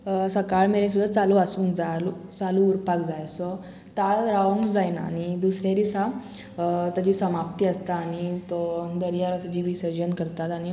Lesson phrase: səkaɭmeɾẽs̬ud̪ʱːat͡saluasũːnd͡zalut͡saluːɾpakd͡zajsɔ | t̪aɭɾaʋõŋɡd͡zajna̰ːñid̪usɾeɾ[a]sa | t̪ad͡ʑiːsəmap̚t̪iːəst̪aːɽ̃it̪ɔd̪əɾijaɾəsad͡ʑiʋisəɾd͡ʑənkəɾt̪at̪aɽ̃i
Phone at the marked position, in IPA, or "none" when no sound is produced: i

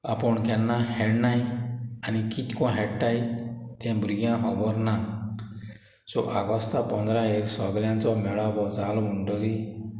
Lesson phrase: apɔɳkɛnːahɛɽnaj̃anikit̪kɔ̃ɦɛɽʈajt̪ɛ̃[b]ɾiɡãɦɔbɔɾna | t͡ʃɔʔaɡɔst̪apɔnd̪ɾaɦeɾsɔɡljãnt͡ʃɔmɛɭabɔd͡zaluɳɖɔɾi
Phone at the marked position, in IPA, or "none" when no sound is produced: b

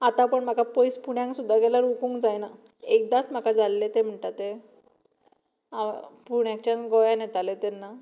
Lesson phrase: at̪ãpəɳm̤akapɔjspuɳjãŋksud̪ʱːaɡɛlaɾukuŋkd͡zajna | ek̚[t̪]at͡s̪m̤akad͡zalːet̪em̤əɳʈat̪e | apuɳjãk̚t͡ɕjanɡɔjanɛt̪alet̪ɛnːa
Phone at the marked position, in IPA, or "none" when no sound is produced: d̪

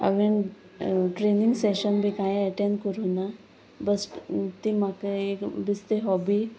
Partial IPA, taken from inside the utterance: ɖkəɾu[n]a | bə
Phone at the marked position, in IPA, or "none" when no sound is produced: n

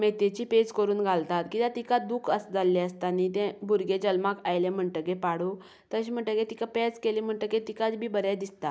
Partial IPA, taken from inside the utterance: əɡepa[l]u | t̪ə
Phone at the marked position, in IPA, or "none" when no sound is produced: ɽ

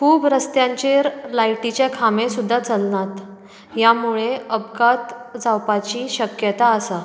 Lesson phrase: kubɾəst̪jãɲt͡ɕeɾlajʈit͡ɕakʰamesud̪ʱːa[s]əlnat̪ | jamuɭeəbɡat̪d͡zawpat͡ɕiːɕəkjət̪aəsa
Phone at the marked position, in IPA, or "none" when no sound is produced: t͡s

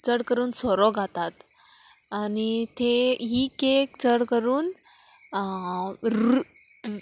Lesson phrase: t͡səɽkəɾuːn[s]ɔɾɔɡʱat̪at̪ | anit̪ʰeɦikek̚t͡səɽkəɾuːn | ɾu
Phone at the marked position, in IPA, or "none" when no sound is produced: s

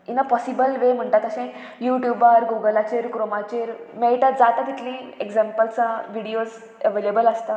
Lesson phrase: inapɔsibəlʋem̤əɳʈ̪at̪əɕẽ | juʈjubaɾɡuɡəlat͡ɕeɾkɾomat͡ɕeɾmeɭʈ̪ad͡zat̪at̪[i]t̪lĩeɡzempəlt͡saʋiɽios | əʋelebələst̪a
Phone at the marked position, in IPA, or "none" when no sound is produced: i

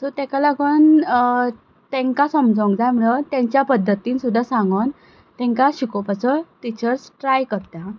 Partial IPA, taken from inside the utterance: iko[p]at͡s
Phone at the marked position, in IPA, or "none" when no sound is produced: p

